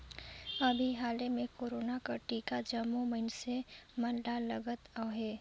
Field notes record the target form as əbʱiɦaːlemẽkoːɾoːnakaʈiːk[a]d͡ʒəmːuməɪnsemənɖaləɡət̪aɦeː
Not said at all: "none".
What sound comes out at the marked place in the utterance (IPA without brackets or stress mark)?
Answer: a